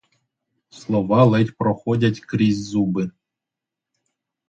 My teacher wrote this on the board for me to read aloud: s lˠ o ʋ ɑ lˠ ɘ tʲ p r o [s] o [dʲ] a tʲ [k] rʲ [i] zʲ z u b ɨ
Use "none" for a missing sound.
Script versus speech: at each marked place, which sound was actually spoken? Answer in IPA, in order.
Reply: x, dʲ, k, i

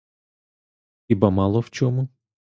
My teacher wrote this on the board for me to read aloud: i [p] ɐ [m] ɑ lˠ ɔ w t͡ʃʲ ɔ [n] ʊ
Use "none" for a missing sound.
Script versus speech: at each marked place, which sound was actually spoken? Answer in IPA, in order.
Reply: b, m, m

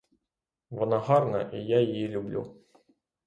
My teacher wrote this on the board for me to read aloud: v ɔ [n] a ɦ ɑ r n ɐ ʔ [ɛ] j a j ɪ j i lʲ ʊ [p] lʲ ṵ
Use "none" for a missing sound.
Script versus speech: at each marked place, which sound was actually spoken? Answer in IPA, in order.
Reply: n, i, b

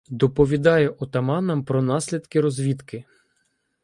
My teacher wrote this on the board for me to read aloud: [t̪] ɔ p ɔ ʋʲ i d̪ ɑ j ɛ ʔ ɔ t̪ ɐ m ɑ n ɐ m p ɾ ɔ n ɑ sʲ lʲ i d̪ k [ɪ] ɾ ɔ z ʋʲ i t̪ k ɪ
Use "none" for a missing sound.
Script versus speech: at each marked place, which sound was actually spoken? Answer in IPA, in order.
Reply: d̪, ɪ

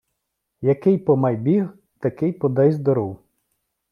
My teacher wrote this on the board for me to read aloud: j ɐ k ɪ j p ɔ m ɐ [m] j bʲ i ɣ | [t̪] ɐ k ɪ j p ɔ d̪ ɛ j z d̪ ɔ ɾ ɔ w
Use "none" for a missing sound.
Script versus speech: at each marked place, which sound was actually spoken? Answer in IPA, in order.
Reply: none, t̪

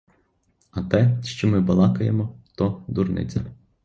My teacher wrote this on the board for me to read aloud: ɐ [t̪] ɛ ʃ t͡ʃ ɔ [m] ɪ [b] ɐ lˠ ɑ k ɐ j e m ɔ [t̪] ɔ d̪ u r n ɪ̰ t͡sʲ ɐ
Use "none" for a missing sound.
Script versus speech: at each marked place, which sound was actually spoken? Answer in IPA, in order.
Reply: t̪, m, b, t̪

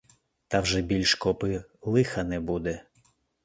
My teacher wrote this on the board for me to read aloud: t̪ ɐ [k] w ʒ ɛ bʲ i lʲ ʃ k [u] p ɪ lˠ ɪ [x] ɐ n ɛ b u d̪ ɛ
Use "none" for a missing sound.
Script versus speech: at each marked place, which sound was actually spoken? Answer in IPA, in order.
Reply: none, ɔ, x

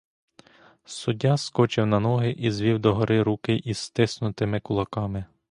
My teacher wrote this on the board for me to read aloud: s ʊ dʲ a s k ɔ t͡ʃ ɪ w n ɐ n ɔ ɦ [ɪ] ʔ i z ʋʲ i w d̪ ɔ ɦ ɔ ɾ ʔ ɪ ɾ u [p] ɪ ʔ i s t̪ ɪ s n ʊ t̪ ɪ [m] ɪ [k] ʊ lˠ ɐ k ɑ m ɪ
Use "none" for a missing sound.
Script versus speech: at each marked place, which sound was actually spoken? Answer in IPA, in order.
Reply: ɪ, k, m, k

